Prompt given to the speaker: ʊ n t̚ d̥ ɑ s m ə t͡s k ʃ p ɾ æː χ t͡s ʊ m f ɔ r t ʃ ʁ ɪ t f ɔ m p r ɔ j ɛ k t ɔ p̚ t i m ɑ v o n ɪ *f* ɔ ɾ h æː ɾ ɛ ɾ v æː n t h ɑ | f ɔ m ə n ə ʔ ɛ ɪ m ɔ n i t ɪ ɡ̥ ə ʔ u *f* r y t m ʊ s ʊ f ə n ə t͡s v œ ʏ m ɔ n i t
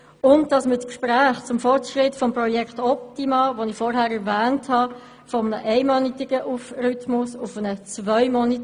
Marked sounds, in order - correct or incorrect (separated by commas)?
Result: correct, correct